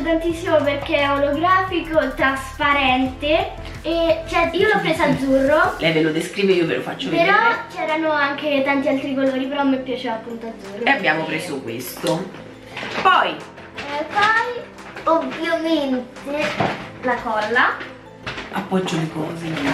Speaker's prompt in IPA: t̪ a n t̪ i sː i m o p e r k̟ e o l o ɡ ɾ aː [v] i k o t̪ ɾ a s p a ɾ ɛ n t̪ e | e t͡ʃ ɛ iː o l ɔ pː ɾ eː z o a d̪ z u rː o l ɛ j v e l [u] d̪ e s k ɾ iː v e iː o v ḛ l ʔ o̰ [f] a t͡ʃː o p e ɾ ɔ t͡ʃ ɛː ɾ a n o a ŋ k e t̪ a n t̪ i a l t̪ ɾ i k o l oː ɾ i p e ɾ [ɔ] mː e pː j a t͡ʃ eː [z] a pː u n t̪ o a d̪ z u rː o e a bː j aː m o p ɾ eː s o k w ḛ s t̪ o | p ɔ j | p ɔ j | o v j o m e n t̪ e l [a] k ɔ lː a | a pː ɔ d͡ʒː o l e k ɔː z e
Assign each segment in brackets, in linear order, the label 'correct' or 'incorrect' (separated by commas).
incorrect, incorrect, correct, correct, incorrect, correct